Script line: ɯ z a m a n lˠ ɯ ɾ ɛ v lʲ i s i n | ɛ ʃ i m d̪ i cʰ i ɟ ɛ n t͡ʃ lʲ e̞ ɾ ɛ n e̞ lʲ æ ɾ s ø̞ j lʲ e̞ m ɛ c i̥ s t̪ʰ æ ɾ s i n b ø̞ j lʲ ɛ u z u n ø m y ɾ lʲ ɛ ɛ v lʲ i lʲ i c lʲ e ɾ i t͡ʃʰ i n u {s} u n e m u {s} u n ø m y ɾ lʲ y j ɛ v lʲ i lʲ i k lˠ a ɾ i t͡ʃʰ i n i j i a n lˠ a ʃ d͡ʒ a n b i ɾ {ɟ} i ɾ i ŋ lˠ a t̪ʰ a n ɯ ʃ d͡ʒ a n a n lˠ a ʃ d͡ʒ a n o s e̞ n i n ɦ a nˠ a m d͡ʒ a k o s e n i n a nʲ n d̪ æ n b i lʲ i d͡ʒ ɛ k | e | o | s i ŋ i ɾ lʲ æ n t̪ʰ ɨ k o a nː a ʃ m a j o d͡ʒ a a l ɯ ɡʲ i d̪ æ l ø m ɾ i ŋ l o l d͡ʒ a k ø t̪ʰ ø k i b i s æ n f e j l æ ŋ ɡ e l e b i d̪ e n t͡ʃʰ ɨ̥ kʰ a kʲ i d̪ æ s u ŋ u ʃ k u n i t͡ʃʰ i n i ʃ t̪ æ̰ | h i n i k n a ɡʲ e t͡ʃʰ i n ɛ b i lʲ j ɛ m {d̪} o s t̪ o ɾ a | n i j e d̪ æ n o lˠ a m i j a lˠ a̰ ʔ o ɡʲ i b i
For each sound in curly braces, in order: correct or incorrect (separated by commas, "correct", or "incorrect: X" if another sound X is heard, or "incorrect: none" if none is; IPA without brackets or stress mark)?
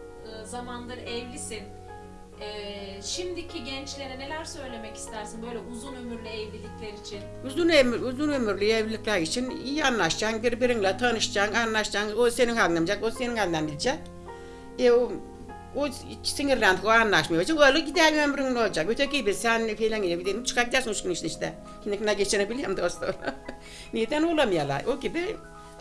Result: incorrect: z, incorrect: z, incorrect: b, correct